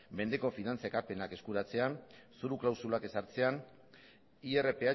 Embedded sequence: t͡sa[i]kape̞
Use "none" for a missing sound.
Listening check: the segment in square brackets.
e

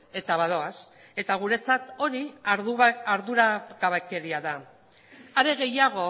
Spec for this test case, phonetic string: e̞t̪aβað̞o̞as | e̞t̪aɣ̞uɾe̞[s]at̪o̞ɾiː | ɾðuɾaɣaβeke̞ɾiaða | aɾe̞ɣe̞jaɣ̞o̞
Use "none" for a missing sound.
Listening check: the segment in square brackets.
t͡s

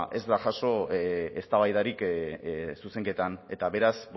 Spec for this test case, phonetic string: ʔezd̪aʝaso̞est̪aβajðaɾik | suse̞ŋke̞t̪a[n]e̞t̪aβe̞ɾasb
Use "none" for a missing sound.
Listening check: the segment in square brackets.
n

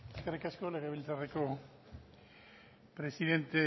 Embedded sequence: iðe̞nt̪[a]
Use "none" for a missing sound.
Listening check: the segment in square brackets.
e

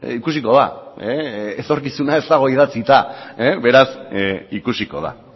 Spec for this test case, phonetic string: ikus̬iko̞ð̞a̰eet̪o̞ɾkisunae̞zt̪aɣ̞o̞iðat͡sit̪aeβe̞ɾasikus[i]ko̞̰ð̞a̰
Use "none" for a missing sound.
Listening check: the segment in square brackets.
i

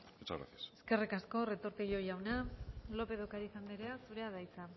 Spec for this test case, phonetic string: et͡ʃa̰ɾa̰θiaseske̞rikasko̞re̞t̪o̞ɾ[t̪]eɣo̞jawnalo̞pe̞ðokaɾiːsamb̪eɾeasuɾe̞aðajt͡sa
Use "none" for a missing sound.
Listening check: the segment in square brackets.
t̪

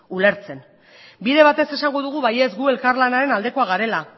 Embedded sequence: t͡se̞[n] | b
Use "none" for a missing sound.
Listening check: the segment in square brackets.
n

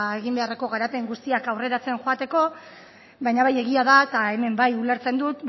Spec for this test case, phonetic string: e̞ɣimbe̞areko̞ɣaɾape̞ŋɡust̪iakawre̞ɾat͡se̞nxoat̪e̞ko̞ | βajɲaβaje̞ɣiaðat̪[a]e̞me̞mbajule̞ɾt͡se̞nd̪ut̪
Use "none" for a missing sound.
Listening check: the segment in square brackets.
a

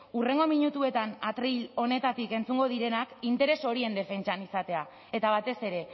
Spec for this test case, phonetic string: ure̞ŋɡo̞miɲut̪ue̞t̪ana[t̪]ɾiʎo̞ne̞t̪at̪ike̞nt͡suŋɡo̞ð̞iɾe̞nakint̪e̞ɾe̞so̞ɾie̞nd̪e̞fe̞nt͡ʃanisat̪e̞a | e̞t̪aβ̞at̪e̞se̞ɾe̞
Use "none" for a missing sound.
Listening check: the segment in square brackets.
t̪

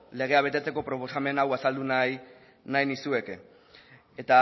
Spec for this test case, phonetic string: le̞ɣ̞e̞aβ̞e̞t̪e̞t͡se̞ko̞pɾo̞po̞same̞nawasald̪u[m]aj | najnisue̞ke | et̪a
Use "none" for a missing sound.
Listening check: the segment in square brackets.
n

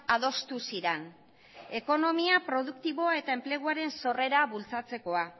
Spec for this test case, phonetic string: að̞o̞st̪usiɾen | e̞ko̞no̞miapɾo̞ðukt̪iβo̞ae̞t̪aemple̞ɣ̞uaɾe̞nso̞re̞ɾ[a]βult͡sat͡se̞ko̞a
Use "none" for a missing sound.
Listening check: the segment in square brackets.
a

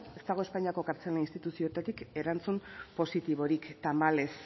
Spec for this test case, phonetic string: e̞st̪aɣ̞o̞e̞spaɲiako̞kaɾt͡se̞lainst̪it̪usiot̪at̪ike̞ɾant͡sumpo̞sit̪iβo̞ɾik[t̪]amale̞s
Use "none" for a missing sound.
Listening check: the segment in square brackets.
t̪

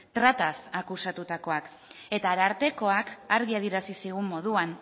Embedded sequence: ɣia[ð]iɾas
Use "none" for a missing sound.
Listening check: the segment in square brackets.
ð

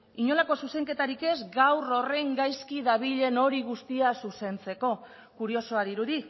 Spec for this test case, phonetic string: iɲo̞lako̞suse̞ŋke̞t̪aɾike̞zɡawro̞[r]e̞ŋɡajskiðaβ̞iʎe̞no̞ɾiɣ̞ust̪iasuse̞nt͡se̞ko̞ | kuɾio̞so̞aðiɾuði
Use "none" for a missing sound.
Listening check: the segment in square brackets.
r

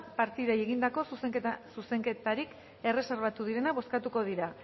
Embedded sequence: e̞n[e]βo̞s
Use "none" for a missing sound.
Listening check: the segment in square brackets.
a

